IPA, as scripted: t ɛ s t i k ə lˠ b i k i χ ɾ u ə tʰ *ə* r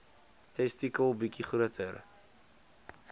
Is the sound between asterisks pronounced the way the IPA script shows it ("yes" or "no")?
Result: yes